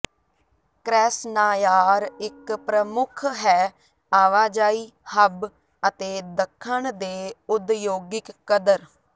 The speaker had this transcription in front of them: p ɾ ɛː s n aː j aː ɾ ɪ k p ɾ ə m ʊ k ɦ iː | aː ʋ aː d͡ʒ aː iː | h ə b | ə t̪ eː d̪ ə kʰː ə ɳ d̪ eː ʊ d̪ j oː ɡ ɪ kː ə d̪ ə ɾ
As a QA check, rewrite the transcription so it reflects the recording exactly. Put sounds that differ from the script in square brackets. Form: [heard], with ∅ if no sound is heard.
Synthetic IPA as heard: [k] ɾ ɛː s n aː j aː ɾ ɪ k p ɾ ə m ʊ [kʰ] ɦ [ɛː] | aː ʋ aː d͡ʒ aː iː | h ə b | ə t̪ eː d̪ ə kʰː ə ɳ d̪ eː ʊ d̪ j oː ɡ ɪ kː ə d̪ ə ɾ